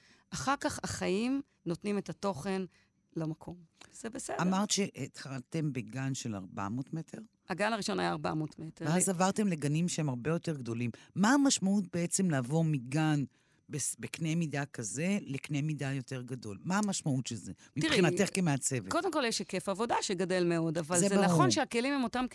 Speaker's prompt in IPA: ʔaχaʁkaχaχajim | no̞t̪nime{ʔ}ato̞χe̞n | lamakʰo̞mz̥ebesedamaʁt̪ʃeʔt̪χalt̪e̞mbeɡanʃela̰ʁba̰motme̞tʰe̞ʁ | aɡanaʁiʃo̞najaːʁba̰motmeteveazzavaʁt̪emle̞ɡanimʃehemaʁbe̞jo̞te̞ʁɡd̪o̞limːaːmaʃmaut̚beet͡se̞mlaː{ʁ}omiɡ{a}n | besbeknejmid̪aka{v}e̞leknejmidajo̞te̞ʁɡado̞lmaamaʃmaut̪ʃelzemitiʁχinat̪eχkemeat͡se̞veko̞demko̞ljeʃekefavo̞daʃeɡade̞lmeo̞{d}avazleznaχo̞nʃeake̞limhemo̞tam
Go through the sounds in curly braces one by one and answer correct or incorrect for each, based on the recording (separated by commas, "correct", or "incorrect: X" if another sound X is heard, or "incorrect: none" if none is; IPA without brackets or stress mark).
incorrect: t, incorrect: v, correct, incorrect: z, correct